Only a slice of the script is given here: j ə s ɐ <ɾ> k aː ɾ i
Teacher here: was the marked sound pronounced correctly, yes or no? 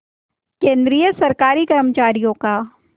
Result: yes